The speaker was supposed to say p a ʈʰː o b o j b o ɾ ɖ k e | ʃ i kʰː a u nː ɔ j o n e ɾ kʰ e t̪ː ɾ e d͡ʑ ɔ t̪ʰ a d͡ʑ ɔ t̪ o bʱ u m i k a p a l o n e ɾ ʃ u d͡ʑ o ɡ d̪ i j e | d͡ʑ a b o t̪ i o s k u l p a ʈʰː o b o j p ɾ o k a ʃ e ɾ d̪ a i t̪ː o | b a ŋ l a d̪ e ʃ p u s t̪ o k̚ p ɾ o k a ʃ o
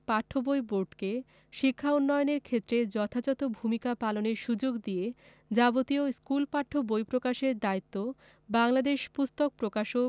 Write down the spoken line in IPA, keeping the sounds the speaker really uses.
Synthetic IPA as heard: p a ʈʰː o b o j b o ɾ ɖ k e | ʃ i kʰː a u nː ɔ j o n e ɾ kʰ e t̪ː ɾ e d͡ʑ ɔ t̪ʰ a d͡ʑ ɔ t̪ o bʱ u m i k a p a l o n e ɾ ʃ u d͡ʑ o ɡ d̪ i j e | d͡ʑ a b o t̪ i o s k u l p a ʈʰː o b o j p ɾ o k a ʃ e ɾ d̪ a i t̪ː o | b a ŋ l a d̪ e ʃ p u s t̪ o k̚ p ɾ o k a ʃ o